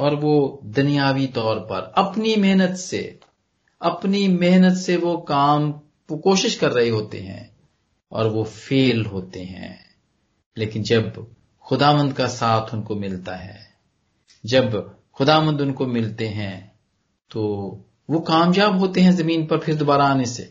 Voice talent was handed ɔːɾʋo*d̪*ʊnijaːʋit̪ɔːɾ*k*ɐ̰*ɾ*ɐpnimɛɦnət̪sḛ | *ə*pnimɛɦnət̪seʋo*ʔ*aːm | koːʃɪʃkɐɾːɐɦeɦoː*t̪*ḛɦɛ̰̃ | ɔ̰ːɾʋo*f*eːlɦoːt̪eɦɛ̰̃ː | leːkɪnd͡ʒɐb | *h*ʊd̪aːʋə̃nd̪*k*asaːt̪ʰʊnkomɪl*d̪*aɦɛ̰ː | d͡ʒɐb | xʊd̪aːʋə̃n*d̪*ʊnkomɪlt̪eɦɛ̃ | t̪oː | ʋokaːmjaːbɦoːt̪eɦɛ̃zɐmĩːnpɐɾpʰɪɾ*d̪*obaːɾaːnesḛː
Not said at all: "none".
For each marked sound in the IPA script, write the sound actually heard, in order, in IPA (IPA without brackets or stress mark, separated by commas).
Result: d̪, p, ɾ, ɐ, k, t̪, f, x, k, t̪, d̪, d̪